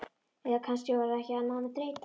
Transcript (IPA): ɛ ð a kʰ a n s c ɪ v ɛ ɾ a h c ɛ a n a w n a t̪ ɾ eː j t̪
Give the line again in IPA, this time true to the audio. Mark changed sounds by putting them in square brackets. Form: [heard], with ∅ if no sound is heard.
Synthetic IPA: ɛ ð a kʰ a n s c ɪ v [a] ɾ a h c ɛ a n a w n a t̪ ɾ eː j t̪

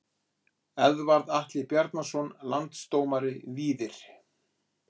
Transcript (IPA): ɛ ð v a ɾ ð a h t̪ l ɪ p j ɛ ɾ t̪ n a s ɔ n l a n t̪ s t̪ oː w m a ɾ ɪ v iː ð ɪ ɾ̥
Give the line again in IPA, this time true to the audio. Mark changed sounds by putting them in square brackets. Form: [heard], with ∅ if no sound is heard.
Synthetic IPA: ɛ ð v a ɾ ð a h t̪ l ɪ p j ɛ ɾ t̪ n a s ɔ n l a n t̪ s t̪ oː w m a ɾ ɪ v iː ð ɪ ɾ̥

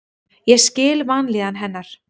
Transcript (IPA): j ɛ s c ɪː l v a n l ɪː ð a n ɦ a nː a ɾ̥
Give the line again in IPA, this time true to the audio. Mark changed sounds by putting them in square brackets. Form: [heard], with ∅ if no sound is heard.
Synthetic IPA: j ɛ s c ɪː l v a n l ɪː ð a n ɦ [ɛ] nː a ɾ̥

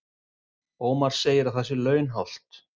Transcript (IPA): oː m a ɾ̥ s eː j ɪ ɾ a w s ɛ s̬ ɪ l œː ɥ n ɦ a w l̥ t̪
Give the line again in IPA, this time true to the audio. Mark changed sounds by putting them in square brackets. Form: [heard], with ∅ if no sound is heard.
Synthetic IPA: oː m a ɾ̥ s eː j ɪ ɾ a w [θ] ɛ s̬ ɪ l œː ɥ n ɦ a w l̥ t̪

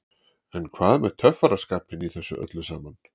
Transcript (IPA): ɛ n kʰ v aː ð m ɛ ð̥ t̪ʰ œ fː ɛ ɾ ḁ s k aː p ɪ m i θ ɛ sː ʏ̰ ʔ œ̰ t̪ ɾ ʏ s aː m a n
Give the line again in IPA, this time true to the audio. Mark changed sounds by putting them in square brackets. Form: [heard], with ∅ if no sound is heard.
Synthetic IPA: ɛ n kʰ v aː ð m ɛ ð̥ t̪ʰ œ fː [a] ɾ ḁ s k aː p ɪ [n] i θ ɛ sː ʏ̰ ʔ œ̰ t̪ [l] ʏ s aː m a n

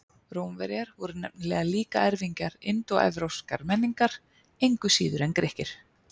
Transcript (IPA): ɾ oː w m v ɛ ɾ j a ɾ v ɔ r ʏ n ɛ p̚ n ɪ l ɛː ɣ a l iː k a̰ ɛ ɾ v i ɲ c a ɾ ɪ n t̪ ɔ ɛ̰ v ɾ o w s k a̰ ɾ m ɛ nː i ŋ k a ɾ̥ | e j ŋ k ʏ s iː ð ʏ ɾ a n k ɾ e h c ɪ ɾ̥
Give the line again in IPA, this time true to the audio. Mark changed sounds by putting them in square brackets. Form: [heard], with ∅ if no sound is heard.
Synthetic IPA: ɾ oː w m v ɛ ɾ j a ɾ v ɔ [ɾ] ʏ n ɛ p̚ n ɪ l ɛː ɣ a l iː k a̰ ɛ ɾ v i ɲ c a ɾ ɪ n t̪ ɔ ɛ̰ v ɾ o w s k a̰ ɾ m ɛ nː i ŋ k a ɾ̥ | e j ŋ k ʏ s iː ð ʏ ɾ [ɛ] n k ɾ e h c ɪ ɾ̥

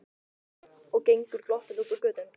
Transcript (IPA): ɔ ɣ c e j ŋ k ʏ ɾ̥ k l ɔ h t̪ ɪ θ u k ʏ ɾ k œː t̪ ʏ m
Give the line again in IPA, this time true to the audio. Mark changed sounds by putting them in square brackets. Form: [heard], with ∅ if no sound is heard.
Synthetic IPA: ɔ ɣ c e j ŋ k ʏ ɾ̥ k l ɔ h t̪ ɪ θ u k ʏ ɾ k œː t̪ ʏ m

